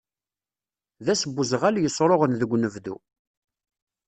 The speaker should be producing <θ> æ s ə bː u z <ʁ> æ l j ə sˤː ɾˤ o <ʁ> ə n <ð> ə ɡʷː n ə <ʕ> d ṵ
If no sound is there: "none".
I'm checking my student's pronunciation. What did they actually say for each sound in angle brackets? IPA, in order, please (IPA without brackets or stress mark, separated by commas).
ð, ʁ, ʁ, ð, v